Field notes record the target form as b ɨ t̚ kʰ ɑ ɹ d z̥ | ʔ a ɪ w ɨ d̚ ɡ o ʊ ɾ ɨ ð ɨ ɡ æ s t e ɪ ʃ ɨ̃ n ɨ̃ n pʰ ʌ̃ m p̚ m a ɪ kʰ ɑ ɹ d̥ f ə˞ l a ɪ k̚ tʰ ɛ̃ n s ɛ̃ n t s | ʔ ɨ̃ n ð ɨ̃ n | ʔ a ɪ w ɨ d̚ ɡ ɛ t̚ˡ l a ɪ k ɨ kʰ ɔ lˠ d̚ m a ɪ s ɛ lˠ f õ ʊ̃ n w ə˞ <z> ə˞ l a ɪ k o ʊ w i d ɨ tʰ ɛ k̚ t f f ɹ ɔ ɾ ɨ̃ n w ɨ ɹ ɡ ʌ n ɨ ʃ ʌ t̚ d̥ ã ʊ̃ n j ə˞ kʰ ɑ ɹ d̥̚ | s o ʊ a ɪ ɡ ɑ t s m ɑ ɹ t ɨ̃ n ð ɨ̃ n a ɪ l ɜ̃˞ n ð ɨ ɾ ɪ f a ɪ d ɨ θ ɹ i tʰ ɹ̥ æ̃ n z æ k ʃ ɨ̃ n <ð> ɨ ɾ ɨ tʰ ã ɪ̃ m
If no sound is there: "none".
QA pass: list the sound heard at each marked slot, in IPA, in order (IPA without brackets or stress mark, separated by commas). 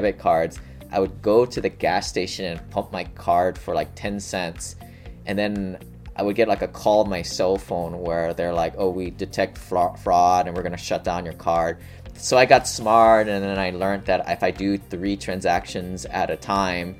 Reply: ð, z